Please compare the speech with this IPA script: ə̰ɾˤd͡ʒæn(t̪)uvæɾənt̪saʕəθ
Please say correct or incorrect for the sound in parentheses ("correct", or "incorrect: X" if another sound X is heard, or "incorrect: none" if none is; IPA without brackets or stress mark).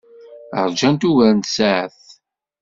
correct